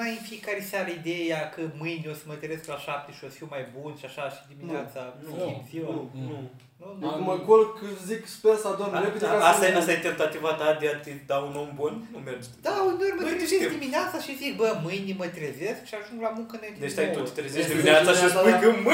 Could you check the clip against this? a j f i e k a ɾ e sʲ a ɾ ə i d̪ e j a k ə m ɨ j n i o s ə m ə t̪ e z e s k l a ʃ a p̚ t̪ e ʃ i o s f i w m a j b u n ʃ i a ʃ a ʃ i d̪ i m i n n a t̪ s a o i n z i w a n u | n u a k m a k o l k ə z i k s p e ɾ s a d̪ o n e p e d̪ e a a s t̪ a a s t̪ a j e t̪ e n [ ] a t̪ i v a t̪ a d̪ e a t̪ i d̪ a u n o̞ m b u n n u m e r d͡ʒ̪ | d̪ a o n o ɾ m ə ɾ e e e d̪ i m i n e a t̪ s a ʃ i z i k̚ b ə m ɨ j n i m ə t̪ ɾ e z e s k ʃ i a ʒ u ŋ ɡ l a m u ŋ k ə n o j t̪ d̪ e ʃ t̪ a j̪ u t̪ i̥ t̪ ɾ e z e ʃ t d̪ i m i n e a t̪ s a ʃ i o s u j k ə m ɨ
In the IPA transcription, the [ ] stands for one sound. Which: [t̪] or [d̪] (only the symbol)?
t̪